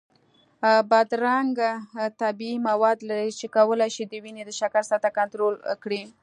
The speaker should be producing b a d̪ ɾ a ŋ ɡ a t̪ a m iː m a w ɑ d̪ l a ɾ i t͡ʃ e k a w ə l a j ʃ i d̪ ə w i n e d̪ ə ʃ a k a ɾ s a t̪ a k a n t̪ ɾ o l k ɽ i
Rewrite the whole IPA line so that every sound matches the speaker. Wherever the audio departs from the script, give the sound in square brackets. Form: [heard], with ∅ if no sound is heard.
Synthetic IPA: b a d̪ ɾ a ŋ ɡ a t̪ a [b] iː m a w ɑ d̪ l a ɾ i t͡ʃ e k a w ə l a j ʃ i d̪ ə w i n e d̪ ə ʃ a k a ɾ s a t̪ a k a n t̪ ɾ o l k ɽ i